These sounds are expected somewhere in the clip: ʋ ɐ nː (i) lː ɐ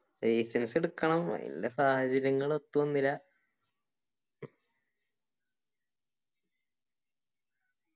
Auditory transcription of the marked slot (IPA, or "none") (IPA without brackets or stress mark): i